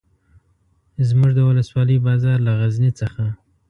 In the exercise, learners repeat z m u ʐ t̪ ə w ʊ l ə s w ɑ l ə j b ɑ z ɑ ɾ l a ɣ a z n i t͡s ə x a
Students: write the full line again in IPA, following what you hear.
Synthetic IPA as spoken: z m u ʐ d̪ ə w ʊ l ə s w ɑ l ə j b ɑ z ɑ ɾ l a ɣ a z n i t͡s ə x a